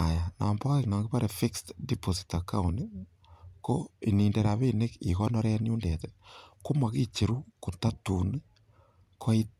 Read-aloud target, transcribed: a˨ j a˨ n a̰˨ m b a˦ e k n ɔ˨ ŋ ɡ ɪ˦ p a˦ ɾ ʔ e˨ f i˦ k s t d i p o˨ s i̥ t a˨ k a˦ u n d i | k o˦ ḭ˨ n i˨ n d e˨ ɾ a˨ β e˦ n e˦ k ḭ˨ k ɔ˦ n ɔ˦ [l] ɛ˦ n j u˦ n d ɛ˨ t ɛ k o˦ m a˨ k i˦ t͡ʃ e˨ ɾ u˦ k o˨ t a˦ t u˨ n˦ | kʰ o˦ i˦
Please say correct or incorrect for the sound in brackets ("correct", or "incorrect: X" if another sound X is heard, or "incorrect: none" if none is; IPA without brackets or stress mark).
incorrect: ɾ